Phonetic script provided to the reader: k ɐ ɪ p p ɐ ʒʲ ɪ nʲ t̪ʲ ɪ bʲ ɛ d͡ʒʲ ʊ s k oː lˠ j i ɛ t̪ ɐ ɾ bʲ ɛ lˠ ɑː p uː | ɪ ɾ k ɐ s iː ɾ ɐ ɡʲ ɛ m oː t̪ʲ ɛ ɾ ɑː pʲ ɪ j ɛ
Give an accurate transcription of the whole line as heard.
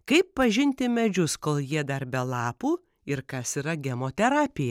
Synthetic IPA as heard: k ɐ ɪ p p ɐ ʒʲ ɪ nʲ t̪ʲ ɪ mʲ ɛ d͡ʒʲ ʊ s k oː lˠ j i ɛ d̪ ɐ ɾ bʲ ɛ lˠ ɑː p uː | ɪ ɾ k ɐ s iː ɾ ɐ ɡʲ ɛ m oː t̪ʲ ɛ ɾ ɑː pʲ ɪ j ɛ